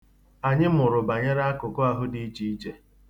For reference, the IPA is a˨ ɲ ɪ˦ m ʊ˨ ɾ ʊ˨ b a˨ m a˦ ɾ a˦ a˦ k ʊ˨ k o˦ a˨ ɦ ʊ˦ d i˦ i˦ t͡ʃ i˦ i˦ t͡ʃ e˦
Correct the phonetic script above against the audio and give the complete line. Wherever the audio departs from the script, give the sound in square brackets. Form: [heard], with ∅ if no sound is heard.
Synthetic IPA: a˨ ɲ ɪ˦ m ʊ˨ ɾ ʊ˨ b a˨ [ɲ] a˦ ɾ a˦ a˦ k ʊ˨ k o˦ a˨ ɦ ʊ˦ d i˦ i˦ t͡ʃ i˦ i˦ t͡ʃ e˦